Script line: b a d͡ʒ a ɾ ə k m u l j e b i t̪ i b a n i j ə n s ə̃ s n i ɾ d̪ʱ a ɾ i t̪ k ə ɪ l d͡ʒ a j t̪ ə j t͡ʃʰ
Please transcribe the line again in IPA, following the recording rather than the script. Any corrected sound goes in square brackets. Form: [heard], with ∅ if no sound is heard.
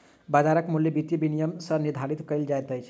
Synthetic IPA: b a d͡ʒ a ɾ ə k m u l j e b i t̪ i b [i] n i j ə [m] s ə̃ [∅] n i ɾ d̪ʱ a ɾ i t̪ k ə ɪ l d͡ʒ a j t̪ ə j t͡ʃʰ